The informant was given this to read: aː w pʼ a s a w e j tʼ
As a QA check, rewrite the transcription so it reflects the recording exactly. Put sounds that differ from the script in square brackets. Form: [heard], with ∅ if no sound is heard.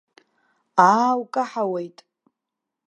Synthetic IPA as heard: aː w [kʼ] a [ħ] a w e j tʼ